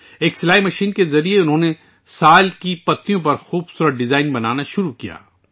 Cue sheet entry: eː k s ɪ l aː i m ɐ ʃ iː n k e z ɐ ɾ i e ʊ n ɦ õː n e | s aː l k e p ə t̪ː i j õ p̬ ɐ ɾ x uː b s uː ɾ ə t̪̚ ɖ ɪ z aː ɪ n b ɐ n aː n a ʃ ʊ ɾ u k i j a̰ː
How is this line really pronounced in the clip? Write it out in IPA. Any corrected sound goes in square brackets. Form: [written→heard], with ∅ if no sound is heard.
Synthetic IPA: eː k s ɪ l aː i m ɐ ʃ iː n k e z ɐ ɾ i e ʊ n ɦ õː n e | s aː l k [e→i] p [ə→ɐ] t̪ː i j õ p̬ ɐ ɾ x uː b s uː ɾ ə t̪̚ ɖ ɪ z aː ɪ n b ɐ n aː n a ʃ ʊ ɾ u k i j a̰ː